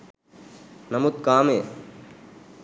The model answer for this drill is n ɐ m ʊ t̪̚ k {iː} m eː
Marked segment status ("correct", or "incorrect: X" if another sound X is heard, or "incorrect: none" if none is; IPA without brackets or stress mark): incorrect: aː